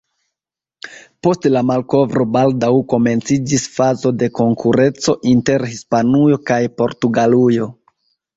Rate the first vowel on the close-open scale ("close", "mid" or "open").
mid